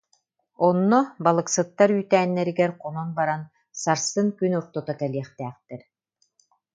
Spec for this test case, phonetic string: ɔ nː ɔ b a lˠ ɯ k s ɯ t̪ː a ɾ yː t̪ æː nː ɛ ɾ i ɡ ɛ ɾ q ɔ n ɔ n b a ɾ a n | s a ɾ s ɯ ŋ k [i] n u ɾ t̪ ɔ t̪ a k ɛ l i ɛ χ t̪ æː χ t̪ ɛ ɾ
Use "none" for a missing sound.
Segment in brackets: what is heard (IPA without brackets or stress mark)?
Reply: y